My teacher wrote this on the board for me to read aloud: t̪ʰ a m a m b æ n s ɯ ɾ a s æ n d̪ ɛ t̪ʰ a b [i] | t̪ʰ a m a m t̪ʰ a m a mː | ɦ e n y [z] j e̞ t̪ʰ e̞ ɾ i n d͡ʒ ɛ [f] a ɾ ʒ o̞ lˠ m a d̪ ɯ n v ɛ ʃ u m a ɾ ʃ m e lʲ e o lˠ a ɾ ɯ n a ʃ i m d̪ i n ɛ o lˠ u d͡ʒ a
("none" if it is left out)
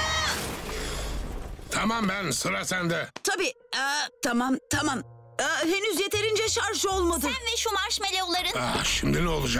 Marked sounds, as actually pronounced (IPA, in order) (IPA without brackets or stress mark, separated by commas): iː, z, ʃ